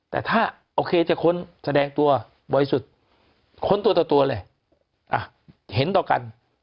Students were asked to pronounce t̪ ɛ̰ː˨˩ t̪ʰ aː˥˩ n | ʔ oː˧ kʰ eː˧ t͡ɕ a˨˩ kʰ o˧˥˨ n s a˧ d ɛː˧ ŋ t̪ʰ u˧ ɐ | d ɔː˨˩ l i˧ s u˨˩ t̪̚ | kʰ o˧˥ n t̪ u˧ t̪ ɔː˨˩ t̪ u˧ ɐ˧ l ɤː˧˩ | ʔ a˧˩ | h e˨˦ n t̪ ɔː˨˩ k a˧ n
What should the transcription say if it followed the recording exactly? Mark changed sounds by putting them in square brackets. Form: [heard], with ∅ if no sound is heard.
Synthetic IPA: t̪ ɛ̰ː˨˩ t̪ʰ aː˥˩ [∅] | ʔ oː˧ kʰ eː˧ t͡ɕ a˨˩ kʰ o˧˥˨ n s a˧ d ɛː˧ ŋ [t̪] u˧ ɐ | [b] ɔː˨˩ [ɾ] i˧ s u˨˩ t̪̚ | kʰ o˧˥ n t̪ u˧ t̪ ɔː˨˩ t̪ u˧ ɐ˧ l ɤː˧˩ | ʔ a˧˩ | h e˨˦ n t̪ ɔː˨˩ k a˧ n